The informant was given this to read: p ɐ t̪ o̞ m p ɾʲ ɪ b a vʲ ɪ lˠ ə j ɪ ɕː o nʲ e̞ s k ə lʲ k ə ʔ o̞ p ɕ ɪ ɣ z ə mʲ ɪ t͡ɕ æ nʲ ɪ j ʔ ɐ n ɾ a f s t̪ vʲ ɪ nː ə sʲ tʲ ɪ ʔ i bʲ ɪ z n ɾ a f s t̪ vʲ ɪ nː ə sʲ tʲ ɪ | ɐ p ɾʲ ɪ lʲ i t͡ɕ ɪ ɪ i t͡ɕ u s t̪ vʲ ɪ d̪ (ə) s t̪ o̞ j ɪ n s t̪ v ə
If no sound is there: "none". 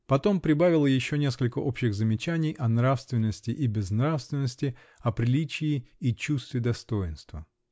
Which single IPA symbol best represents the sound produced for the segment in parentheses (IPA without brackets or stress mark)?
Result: ɐ